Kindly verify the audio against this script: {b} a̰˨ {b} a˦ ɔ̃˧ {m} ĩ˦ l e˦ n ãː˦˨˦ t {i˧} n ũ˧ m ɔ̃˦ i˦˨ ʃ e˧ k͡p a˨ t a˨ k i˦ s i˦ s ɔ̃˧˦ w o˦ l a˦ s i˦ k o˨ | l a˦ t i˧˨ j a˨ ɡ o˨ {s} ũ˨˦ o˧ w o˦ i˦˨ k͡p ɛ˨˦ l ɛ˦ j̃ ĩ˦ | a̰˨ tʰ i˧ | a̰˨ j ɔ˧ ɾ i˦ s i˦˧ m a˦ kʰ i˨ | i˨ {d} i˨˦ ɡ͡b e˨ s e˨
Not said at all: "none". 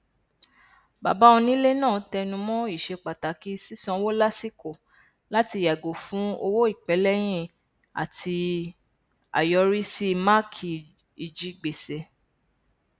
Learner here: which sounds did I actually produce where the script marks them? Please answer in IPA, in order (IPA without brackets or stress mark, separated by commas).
b, b, n, ɛ˧, f, d͡ʒ